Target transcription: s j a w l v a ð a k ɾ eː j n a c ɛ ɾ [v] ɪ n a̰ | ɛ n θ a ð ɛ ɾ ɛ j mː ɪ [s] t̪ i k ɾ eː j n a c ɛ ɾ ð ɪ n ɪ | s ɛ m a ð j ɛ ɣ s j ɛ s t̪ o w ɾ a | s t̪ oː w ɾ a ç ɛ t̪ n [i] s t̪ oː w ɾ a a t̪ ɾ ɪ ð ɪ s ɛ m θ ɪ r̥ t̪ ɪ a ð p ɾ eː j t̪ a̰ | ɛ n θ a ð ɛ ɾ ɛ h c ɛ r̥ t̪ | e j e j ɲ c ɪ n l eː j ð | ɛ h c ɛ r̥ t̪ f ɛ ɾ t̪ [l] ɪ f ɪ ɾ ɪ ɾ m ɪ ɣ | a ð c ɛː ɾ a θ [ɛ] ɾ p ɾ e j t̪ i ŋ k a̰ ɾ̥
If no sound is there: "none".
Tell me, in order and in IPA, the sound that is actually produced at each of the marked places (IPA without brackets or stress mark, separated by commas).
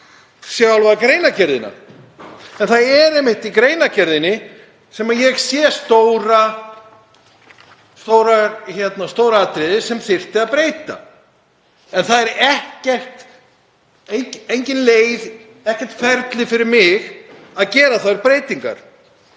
ð, h, a, l, a